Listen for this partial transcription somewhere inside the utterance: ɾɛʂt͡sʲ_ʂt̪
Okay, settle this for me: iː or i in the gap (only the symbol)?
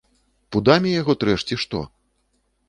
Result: i